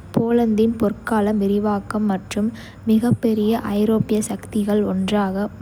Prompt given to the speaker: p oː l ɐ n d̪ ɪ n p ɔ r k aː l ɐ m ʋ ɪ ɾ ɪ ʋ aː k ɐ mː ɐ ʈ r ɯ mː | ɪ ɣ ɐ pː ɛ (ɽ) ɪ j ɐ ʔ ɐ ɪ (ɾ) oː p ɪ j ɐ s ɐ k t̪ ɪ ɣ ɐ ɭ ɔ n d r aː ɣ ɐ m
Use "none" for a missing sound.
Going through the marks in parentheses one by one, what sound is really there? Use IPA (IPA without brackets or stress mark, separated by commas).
ɾ, ɾ